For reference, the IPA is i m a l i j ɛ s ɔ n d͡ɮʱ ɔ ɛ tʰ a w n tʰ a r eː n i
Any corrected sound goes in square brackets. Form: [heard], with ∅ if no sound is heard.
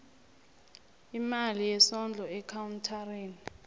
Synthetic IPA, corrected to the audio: i m a l i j ɛ s ɔ n d͡ɮʱ ɔ ɛ [kʰ] a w n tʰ a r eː n i